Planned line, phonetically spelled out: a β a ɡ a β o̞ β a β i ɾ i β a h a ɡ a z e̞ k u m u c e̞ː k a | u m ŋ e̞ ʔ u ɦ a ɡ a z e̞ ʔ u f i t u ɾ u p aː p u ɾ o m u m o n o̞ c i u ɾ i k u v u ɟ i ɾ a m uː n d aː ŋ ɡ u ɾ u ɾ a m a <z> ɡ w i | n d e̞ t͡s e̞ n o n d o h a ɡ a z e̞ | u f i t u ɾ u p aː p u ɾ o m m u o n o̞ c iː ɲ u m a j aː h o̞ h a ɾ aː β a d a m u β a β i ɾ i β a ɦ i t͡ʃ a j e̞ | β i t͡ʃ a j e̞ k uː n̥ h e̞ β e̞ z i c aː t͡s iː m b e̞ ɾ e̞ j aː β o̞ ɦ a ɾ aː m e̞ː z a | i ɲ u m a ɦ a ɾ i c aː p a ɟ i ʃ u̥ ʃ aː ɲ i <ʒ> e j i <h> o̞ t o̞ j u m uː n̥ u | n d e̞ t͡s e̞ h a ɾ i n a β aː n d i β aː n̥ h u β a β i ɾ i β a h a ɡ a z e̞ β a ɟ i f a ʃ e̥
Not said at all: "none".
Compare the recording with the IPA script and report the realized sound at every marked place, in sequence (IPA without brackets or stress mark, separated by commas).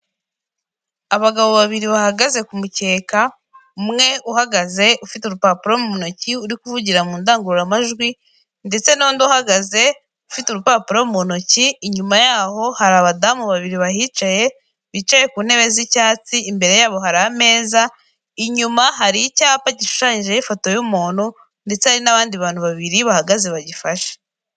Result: ʒ, ʒ, f